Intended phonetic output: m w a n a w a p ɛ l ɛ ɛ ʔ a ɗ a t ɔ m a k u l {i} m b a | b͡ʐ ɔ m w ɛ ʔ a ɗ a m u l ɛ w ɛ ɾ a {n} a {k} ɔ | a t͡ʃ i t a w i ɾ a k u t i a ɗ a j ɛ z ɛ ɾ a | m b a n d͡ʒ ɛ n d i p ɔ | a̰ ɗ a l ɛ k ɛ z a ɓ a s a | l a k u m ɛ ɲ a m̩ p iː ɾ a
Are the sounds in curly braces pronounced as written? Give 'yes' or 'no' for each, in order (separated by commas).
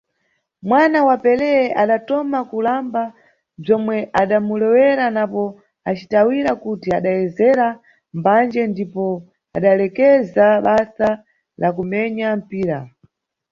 no, yes, no